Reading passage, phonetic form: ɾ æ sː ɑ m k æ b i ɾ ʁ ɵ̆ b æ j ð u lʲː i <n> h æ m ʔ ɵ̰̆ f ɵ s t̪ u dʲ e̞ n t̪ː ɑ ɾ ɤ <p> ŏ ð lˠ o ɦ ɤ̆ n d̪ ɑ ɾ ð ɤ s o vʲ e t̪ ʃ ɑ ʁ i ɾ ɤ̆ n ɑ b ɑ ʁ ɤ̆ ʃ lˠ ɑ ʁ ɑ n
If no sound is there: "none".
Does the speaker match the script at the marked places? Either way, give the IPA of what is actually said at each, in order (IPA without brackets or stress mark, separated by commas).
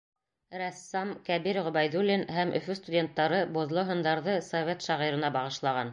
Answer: n, b